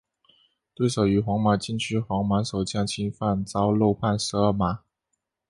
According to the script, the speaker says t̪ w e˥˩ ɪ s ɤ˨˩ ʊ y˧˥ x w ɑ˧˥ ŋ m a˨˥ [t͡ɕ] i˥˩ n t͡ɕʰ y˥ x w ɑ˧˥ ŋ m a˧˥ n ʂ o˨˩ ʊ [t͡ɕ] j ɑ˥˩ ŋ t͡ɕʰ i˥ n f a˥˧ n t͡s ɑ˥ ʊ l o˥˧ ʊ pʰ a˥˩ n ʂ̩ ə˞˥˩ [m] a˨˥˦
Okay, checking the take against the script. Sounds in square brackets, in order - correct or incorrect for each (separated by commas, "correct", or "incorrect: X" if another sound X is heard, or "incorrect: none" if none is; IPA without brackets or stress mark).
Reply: correct, correct, correct